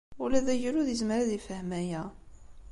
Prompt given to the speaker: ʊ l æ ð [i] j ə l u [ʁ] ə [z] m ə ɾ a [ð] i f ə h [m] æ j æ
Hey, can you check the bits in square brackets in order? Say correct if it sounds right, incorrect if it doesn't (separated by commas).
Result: incorrect, incorrect, correct, correct, correct